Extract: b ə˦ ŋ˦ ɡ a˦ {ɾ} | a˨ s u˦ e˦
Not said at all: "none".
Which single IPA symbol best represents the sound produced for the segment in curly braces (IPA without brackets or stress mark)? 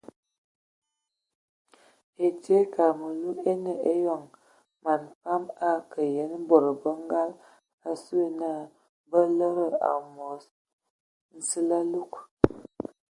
l